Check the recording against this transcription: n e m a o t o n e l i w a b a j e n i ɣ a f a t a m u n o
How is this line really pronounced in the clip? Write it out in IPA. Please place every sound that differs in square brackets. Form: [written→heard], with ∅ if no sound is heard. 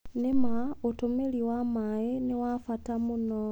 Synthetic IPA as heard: n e m a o t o [n→m] e l i w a [b→m] a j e n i [ɣ→w] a f a t a m u n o